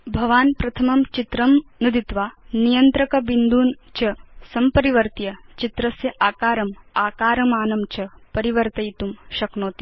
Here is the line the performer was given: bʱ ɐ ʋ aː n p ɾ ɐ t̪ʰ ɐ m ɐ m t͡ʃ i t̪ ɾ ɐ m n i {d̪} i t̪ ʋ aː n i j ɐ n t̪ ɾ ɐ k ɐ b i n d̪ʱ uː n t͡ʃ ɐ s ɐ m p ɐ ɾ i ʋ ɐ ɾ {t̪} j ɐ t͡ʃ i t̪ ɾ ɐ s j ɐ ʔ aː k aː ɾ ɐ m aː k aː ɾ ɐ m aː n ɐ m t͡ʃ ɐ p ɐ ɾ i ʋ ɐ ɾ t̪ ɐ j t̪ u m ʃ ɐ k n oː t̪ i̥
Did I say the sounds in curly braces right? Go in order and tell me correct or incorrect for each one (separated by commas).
correct, correct